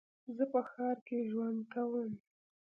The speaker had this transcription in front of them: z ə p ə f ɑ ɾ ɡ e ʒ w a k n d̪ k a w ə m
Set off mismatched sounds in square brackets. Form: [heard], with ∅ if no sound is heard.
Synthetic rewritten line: z ə p ə [x] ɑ ɾ [k] e ʒ w a [∅] n d̪ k a w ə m